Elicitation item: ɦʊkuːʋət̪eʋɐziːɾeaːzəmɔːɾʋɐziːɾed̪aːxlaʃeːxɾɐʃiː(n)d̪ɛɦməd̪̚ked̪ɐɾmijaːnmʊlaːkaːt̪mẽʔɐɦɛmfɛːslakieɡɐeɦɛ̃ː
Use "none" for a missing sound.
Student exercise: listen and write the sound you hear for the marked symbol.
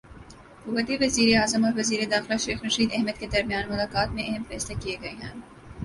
none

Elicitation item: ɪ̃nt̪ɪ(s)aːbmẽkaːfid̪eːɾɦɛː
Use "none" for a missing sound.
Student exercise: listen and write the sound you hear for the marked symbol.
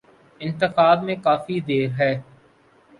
x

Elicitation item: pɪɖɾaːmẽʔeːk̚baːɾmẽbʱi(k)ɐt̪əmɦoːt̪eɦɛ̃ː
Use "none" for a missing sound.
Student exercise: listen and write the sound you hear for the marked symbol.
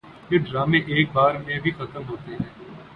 x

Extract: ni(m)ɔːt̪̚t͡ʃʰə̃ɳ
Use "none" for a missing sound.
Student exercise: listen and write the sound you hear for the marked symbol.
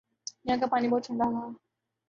b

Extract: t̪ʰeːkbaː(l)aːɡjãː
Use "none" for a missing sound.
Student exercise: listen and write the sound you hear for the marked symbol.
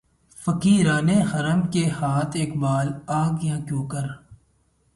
l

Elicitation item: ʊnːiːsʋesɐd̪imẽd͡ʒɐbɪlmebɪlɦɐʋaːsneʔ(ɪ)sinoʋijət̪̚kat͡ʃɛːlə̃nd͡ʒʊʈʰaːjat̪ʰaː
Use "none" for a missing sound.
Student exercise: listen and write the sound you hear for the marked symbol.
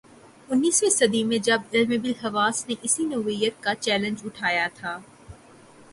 ɪ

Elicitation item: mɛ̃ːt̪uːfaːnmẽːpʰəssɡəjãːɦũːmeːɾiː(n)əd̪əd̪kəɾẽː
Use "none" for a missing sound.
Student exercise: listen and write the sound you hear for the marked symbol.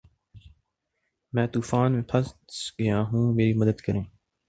m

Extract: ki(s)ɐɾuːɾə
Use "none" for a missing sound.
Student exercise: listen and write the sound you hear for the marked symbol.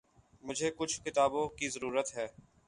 z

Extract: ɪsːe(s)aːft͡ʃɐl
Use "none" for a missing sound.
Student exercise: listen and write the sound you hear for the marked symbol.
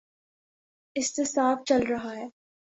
s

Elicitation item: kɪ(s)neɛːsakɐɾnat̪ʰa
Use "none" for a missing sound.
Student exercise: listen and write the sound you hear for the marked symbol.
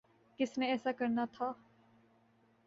s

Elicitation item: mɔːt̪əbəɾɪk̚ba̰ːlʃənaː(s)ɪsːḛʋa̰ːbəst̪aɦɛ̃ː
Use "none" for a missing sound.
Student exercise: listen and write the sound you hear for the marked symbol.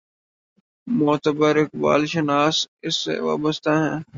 s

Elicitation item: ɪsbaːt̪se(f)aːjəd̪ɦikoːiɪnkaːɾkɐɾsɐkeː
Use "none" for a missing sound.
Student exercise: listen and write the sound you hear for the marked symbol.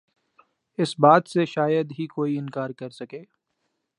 ʃ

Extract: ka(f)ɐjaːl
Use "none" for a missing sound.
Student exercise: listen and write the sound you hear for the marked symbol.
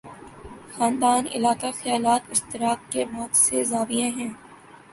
x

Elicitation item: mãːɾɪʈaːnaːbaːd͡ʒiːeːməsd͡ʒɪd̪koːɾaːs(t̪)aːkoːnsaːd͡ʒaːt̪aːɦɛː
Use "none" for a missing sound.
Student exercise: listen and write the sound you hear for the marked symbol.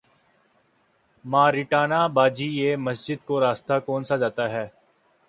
t̪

